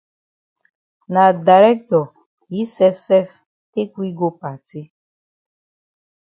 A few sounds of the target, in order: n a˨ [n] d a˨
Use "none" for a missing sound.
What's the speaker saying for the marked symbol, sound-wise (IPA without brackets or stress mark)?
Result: none